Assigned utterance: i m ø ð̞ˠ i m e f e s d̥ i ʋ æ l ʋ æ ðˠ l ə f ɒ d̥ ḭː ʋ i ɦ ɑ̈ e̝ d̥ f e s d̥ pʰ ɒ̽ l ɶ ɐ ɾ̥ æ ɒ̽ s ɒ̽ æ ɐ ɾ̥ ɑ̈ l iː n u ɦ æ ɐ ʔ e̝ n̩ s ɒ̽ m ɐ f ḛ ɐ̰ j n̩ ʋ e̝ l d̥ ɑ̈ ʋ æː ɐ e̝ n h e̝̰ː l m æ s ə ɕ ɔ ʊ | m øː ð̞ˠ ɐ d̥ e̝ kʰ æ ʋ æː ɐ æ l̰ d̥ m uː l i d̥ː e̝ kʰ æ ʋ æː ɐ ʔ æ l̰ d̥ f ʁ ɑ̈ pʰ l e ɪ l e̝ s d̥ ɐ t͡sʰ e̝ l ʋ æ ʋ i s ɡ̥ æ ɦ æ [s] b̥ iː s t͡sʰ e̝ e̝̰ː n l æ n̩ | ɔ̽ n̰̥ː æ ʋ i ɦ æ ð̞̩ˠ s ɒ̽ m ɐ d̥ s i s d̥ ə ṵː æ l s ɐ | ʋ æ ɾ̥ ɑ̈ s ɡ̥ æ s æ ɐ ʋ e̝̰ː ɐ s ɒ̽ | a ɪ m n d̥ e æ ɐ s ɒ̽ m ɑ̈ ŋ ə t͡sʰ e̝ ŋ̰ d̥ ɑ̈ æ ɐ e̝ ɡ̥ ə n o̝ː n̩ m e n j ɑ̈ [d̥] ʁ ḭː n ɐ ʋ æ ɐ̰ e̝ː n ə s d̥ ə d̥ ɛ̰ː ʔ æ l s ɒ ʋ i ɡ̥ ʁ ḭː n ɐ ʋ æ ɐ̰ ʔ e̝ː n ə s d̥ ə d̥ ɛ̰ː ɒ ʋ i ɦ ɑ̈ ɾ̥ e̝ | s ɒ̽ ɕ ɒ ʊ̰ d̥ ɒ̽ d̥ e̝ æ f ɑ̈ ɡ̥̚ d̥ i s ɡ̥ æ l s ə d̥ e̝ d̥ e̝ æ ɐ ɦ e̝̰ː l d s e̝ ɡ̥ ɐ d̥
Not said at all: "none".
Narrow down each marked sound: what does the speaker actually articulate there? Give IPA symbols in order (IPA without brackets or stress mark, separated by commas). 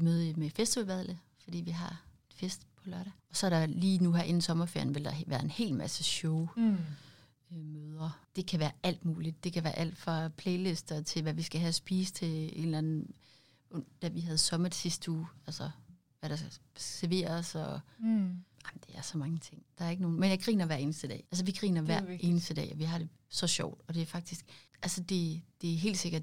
s, ɡ̥